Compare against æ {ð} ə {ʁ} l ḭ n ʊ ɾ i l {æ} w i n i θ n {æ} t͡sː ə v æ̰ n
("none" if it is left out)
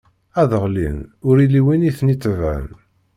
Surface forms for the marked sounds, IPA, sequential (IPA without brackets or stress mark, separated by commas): ð, ʁ, i, i